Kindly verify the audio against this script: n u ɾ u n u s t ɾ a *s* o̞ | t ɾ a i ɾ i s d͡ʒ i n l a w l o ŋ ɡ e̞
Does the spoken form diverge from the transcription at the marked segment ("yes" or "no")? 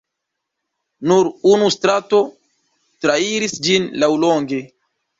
yes